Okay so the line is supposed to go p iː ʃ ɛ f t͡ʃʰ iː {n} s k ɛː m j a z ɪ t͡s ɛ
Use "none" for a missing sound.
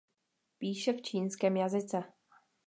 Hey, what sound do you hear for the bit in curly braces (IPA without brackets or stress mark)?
n